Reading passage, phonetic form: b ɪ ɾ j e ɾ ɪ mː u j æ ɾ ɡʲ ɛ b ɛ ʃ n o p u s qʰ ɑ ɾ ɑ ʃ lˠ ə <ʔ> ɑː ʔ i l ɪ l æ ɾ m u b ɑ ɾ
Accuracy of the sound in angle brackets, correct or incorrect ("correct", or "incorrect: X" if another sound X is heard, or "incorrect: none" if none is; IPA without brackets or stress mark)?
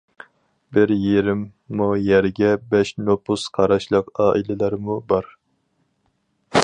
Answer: incorrect: q